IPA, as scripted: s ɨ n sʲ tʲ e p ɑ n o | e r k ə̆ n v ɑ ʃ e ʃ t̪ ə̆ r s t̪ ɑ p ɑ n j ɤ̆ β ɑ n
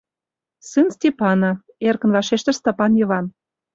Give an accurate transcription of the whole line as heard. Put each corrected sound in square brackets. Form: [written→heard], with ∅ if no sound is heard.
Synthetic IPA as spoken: s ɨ n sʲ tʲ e p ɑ n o | e r k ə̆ n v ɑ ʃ e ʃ t̪ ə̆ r s t̪ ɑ p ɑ n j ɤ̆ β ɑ n